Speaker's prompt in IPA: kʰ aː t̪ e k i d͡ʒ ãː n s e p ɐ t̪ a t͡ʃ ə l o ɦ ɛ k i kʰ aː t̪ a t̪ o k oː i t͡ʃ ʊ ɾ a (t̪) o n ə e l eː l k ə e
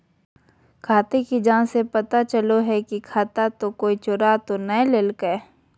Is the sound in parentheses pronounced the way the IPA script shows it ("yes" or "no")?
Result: yes